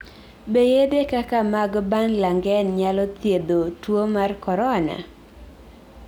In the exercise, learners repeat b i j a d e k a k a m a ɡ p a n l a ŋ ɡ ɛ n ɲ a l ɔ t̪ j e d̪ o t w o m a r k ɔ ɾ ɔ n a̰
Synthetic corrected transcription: b e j e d e k a k a m a ɡ b a n l a ŋ ɡ ɛ n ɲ a l ɔ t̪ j e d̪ o t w o m a r k ɔ ɾ ɔ n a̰